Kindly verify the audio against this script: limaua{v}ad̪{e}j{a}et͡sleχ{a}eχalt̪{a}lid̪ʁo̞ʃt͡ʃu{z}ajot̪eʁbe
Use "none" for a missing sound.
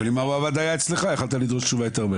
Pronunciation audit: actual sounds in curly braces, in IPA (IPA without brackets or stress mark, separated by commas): v, a, a, a, a, v